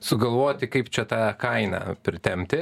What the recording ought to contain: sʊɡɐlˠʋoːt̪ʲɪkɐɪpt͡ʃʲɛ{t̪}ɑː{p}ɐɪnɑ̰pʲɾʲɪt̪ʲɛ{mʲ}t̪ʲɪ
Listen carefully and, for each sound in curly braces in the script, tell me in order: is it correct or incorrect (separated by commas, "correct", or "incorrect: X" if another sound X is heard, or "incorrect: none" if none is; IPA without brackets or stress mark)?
correct, incorrect: k, correct